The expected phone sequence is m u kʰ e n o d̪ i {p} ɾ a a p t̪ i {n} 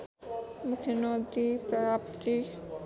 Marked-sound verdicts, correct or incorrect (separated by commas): correct, incorrect